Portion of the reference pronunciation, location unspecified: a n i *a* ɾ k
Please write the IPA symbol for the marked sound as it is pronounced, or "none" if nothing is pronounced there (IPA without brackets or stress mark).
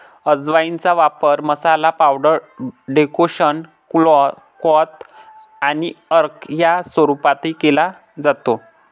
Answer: ə